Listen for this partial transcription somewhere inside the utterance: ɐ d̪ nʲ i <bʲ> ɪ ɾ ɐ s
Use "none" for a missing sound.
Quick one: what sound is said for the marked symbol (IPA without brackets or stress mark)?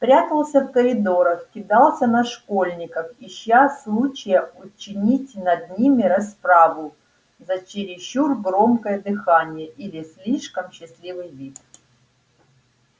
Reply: mʲ